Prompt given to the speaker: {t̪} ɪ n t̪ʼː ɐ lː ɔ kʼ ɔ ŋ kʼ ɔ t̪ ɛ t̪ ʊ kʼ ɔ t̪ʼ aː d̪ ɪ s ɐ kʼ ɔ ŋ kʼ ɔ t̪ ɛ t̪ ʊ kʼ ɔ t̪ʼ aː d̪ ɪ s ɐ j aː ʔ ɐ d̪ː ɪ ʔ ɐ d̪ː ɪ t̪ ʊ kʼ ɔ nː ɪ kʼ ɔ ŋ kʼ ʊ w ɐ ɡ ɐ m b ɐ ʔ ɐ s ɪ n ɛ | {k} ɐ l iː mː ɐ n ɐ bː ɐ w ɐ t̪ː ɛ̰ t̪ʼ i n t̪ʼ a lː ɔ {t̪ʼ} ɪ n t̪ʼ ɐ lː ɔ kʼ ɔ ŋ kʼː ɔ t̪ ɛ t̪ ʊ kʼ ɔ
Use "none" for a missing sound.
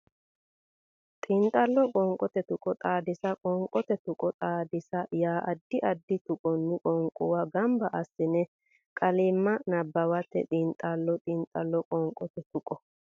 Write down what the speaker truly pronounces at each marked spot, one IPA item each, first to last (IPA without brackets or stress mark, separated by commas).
t̪ʼ, kʼ, t̪ʼ